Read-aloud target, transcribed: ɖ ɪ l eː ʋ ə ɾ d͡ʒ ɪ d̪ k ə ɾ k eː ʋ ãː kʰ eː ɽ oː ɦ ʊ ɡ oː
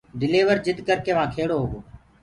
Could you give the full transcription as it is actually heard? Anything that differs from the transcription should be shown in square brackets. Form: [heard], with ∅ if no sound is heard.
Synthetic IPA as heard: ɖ ɪ l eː ʋ ə ɾ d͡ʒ ɪ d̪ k ə ɾ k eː ʋ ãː kʰ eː ɽ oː ɦ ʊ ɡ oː